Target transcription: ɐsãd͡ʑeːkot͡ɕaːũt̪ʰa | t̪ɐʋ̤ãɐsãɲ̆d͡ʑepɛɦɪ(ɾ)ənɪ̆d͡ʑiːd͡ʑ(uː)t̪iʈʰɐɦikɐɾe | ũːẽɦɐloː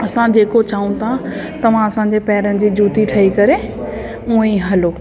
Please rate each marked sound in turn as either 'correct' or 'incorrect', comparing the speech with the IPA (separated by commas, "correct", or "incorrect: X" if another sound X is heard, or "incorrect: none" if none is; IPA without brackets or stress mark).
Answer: correct, correct